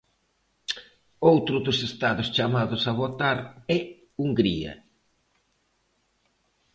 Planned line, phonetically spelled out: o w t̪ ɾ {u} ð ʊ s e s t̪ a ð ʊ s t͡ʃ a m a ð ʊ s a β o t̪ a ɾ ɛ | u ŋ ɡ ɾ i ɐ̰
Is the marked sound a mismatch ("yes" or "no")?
yes